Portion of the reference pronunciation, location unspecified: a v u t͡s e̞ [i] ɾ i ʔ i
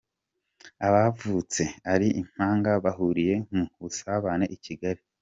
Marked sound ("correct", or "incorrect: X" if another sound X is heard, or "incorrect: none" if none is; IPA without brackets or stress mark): incorrect: a